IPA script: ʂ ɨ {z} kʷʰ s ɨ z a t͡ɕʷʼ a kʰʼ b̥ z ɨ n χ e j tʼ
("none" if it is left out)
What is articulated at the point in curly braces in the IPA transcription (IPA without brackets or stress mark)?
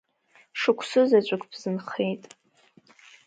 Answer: none